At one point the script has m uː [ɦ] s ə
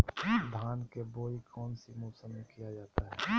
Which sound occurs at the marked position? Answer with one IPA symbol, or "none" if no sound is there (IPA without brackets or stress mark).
none